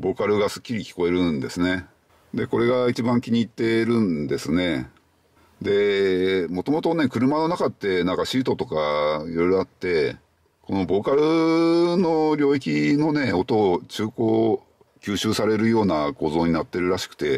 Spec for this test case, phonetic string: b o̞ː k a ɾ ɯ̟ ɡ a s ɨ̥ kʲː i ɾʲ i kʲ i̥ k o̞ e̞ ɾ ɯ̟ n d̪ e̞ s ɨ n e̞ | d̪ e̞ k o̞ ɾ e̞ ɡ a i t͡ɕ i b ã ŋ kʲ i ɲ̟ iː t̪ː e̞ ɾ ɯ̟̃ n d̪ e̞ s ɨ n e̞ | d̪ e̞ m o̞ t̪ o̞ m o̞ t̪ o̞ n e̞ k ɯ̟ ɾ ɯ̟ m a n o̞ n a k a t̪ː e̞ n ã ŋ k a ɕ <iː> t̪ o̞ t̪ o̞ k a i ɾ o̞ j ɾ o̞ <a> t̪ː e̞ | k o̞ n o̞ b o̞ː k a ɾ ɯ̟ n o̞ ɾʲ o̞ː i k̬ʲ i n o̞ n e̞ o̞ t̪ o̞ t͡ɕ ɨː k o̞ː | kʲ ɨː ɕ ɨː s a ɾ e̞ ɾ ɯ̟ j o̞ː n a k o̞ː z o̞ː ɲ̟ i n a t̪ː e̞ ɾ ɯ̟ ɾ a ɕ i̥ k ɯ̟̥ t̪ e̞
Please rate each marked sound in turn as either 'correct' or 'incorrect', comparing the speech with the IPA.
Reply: correct, correct

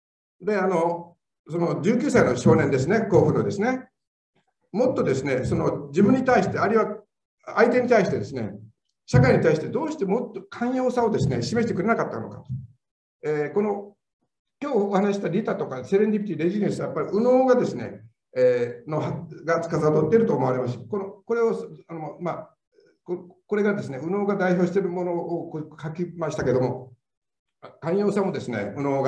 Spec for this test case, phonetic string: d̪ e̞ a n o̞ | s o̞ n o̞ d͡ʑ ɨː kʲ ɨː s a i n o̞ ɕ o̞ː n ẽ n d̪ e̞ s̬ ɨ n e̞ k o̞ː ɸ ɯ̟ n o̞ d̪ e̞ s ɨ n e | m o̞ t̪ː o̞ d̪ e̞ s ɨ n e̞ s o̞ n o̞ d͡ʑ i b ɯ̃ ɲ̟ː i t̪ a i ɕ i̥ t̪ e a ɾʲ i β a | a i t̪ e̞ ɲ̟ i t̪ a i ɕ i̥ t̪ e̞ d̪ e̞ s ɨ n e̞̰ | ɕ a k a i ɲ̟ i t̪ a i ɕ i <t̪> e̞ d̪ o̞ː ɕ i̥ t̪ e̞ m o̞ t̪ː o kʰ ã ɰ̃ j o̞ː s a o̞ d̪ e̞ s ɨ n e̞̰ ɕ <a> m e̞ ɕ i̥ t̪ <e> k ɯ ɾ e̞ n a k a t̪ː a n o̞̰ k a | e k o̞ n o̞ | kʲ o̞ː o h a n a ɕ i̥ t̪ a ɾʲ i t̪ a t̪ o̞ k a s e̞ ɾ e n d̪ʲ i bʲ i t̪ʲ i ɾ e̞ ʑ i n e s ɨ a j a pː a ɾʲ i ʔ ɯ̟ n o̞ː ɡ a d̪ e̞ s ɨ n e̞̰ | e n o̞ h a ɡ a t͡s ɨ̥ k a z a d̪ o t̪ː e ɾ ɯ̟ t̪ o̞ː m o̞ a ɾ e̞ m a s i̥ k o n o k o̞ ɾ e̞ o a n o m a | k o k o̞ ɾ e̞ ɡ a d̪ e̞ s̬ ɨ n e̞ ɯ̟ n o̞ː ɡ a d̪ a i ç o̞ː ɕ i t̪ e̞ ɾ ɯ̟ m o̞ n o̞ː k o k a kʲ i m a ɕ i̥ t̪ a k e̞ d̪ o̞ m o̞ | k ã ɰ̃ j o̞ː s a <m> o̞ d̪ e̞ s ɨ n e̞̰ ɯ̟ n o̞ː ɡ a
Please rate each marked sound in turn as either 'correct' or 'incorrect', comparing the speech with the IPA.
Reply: correct, incorrect: i, correct, correct

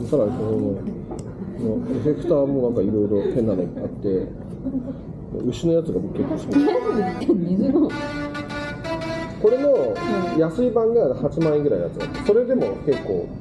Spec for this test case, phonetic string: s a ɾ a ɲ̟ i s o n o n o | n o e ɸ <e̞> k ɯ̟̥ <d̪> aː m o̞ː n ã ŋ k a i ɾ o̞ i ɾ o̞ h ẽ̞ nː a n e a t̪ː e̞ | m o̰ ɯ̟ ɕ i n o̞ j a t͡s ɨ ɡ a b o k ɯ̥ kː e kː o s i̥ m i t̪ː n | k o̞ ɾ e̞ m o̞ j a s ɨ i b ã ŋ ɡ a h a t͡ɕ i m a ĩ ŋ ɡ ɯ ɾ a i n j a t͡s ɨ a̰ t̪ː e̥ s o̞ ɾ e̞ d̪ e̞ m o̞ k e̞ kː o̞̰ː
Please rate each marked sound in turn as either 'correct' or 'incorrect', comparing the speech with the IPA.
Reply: correct, incorrect: t̪

